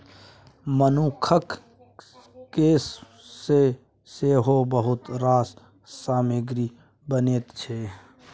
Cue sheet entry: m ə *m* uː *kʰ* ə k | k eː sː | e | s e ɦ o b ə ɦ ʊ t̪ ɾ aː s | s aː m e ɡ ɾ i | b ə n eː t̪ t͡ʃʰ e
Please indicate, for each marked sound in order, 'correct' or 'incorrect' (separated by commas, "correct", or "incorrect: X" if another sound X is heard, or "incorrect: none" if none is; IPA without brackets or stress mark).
incorrect: n, correct